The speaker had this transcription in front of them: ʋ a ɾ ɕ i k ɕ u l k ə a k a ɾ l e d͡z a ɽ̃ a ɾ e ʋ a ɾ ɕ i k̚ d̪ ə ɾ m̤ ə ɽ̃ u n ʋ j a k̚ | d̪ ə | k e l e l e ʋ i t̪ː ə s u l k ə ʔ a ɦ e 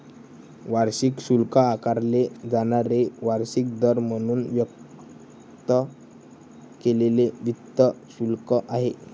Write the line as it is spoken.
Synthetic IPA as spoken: ʋ a ɾ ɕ i k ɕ u l k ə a k a ɾ l e d͡z a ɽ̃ a ɾ e ʋ a ɾ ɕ i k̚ d̪ ə ɾ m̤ ə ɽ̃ uː n ʋ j ə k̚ | t̪ ə | k e l e l e ʋ i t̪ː ə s u l k ə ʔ a ɦ e